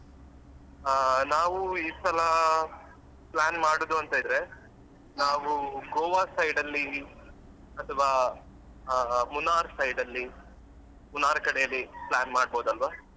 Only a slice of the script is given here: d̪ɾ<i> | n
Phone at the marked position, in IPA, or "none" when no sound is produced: e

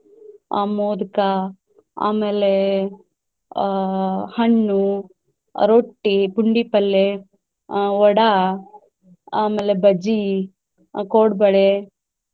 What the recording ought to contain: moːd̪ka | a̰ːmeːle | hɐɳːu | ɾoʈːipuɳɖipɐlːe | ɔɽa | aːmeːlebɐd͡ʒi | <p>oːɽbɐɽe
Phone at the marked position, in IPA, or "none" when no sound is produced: k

